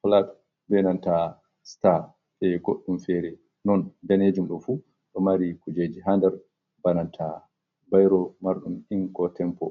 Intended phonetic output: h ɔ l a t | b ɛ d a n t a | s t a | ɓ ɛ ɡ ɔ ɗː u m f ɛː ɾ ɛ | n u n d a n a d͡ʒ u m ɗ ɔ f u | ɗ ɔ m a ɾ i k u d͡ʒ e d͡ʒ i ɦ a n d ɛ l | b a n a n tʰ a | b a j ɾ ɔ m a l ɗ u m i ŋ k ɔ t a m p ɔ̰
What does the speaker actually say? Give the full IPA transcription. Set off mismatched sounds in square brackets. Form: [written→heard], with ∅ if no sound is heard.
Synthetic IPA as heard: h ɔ l a t | b ɛ [d→n] a n t a | s t a | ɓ ɛ ɡ [ɔ→o] ɗː u m f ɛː ɾ ɛ | n [u→ɔ] n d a n [a→e] d͡ʒ u m ɗ ɔ f u | ɗ ɔ m a ɾ i k u d͡ʒ e d͡ʒ i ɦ a n d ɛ [l→ɾ] | b a n a n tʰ a | b a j ɾ ɔ m a [l→ɾ] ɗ u m i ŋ k ɔ t [a→ɛ] m p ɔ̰

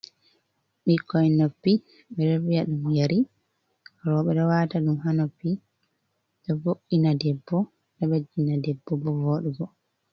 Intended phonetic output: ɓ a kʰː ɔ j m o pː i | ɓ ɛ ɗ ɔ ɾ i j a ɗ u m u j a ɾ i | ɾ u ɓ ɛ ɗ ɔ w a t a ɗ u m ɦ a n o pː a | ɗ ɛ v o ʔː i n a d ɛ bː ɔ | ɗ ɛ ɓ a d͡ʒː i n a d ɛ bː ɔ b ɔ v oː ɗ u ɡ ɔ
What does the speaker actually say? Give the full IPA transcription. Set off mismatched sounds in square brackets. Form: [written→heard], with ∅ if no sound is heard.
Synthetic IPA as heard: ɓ [a→i] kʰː ɔ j [m→n] o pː i | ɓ ɛ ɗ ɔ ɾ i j a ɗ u m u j a ɾ i | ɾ [u→ɔ] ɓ ɛ ɗ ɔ w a t a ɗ u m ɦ a n o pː [a→i] | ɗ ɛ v o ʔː i n a d ɛ bː ɔ | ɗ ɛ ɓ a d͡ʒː i n a d ɛ bː ɔ b ɔ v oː ɗ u ɡ ɔ

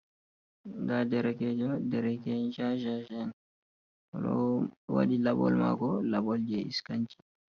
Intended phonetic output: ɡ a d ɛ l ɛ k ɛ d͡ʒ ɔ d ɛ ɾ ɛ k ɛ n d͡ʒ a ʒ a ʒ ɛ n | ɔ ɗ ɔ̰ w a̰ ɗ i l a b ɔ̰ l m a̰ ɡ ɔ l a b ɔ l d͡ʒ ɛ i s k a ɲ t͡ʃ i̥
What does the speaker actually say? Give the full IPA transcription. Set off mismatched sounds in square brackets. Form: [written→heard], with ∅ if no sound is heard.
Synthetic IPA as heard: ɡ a d ɛ [l→ɾ] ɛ k ɛ d͡ʒ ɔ d ɛ ɾ ɛ k ɛ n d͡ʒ a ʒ a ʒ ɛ n | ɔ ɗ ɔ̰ w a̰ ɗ i l a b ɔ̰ l m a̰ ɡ ɔ l a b ɔ l d͡ʒ ɛ i s k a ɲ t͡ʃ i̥

